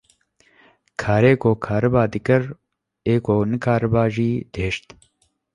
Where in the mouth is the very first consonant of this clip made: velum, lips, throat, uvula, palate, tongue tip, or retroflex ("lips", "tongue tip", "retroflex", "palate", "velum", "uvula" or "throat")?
velum